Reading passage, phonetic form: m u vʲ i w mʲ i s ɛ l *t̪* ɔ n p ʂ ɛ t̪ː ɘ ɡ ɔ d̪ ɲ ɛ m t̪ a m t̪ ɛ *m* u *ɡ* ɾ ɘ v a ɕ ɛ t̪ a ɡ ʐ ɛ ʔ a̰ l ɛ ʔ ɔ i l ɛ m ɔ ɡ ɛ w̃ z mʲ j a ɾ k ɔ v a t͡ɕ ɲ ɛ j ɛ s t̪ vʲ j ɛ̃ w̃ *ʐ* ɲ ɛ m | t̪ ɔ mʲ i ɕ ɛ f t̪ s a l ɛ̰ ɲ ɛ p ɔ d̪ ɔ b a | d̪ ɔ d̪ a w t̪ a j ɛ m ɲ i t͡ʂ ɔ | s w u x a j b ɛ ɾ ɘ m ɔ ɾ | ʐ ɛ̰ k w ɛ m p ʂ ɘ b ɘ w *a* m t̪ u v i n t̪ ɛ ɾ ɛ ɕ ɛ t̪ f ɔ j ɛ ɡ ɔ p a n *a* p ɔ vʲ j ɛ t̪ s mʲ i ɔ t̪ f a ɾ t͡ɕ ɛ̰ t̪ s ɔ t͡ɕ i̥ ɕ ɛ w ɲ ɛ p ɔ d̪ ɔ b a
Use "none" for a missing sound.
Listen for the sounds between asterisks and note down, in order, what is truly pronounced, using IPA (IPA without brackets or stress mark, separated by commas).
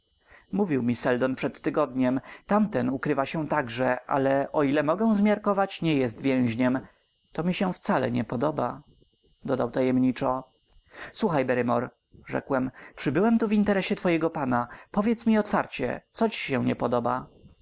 d̪, n, k, ʑ, ɛ, a